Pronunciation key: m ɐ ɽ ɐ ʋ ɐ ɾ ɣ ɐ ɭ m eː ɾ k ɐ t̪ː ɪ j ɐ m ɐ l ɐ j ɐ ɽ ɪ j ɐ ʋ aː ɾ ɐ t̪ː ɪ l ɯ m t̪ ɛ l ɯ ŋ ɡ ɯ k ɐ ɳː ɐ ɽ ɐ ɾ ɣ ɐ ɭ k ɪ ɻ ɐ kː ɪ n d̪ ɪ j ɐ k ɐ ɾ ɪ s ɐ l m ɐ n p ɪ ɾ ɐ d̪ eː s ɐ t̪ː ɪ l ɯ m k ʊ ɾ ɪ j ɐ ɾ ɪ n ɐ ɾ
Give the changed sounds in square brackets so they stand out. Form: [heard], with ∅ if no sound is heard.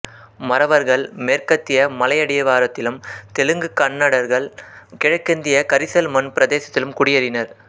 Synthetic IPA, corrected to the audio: m ɐ [ɾ] ɐ ʋ ɐ ɾ ɣ ɐ ɭ m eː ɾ k ɐ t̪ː ɪ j ɐ m ɐ l ɐ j ɐ ɽ ɪ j ɐ ʋ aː ɾ ɐ t̪ː ɪ l ɯ m t̪ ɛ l ɯ ŋ ɡ ɯ k ɐ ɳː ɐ ɽ ɐ ɾ ɣ ɐ ɭ k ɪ ɻ ɐ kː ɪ n d̪ ɪ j ɐ k ɐ ɾ ɪ s ɐ l m ɐ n p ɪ ɾ ɐ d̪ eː s ɐ t̪ː ɪ l ɯ m k ʊ [ɽ] ɪ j ɐ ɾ ɪ n ɐ ɾ